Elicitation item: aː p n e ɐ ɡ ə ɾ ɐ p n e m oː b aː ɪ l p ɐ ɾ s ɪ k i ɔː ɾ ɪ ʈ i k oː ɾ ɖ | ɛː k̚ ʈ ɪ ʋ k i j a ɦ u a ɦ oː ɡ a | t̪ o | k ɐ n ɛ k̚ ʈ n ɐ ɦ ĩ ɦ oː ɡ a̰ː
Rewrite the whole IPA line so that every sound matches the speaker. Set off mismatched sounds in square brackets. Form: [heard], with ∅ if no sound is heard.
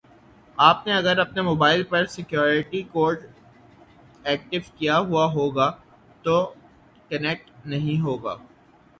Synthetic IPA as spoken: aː p n e ɐ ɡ ə ɾ ɐ p n e m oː b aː ɪ l p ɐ ɾ s ɪ k [j] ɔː ɾ ɪ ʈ i k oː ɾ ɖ | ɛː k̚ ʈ ɪ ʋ k i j a ɦ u a ɦ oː ɡ a | t̪ o | k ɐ n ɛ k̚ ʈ n ɐ ɦ ĩ ɦ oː ɡ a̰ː